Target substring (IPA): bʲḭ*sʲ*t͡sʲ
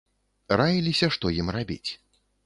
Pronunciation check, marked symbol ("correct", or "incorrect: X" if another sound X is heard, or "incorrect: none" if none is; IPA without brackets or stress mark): incorrect: none